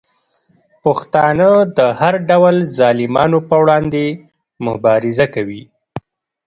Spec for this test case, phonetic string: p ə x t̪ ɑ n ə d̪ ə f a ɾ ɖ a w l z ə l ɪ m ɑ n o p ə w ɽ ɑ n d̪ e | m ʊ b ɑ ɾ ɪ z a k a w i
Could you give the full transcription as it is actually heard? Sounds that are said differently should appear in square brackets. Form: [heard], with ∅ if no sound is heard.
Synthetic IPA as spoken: p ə x t̪ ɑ n ə d̪ ə [h] a ɾ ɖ a w l z [ɑ] l ɪ m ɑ n o p ə w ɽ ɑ n d̪ e | m ʊ b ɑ ɾ ɪ z a k a w i

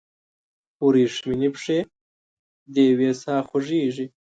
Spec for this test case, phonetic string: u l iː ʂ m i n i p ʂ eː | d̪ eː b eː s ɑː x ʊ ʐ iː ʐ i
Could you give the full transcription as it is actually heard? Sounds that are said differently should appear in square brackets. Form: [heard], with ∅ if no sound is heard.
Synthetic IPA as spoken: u [ɾ] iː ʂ m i n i p ʂ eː | d̪ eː [w] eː s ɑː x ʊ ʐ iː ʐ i

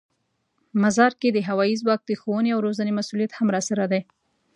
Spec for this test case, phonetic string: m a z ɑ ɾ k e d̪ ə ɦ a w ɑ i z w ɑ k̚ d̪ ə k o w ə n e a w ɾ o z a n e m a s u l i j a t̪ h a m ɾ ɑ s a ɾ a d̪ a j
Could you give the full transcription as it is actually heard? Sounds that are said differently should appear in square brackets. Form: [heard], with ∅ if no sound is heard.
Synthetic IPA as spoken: m a z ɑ ɾ k e d̪ ə ɦ a w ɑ i z w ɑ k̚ d̪ ə [x] o w ə n e a w ɾ o z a n e m a s u l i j a t̪ h a m ɾ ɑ s a ɾ a d̪ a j

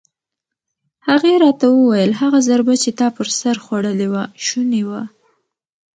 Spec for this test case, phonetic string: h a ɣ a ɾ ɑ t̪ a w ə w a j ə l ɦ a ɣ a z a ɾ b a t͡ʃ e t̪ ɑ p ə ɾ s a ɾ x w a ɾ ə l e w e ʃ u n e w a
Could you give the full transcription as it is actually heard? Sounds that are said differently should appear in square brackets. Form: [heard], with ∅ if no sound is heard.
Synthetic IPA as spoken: h a ɣ [e] ɾ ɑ t̪ a w ə w a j ə l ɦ a ɣ a z a ɾ b a t͡ʃ e t̪ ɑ p ə ɾ s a ɾ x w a [ɽ] ə l e w [a] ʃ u n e w a

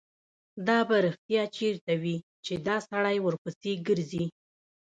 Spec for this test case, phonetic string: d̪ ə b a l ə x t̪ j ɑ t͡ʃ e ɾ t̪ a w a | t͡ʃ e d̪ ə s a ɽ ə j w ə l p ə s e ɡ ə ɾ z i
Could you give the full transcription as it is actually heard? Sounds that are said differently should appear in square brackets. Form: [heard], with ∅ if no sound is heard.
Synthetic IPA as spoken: d̪ [ɑ] b a [ɾ] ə x t̪ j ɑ t͡ʃ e ɾ t̪ a w [i] | t͡ʃ e d̪ [ɑ] s a ɽ [a] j w ə [ɾ] p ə s e ɡ ə ɾ z i

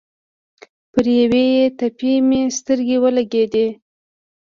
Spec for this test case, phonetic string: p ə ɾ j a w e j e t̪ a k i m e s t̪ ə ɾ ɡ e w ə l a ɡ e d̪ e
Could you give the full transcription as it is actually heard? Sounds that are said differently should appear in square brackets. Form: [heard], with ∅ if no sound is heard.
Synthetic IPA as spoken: p ə ɾ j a w e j e t̪ a [p] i m e s t̪ ə ɾ ɡ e w ə l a ɡ e d̪ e

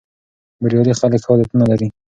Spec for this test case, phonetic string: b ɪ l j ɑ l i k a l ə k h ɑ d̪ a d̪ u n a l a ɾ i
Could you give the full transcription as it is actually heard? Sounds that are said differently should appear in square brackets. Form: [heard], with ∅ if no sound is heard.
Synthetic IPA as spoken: b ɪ [ɾ] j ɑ l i [x] a l ə k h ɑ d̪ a [t̪] u n a l a ɾ i

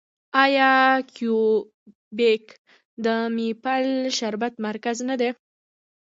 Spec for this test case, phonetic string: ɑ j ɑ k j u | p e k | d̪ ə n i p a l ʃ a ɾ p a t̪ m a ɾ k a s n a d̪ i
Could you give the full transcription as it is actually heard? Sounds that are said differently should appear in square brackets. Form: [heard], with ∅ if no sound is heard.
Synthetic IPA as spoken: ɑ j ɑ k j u | [b] e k | d̪ ə [m] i p a l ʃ a ɾ [b] a t̪ m a ɾ k a [z] n a d̪ [e]

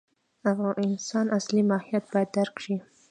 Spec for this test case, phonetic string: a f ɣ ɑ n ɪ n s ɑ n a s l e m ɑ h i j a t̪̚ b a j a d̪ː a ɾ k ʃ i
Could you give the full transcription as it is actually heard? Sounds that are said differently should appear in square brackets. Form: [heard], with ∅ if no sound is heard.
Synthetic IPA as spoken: a f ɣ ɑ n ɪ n s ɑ n a s l [i] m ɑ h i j a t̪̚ b [ɑ] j a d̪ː a ɾ k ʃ i

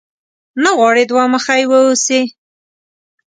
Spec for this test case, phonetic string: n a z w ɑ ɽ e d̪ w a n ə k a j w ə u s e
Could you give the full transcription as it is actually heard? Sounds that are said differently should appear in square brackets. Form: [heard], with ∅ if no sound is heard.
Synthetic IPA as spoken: n a [ɣ] w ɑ ɽ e d̪ w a [m] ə [x] a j w ə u s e

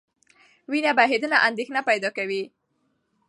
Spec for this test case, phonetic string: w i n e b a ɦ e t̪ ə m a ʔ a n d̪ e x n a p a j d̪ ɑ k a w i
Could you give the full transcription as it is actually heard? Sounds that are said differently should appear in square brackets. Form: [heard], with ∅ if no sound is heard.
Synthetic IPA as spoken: w i n [a] b a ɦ e [d̪] ə [n] a ʔ a n d̪ e x n a p a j d̪ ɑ k a w i

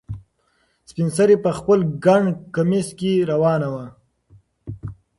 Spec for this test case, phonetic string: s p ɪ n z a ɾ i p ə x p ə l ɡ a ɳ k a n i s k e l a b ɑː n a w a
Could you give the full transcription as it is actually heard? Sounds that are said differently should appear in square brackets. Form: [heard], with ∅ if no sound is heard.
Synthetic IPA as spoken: s p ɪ n [s] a ɾ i p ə x p ə l ɡ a ɳ k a [m] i s k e [ɾ] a [w] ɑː n a w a

